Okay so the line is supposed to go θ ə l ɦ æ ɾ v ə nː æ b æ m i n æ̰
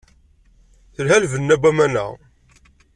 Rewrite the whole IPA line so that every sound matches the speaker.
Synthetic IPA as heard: θ ə l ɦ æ l v ə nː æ b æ m æ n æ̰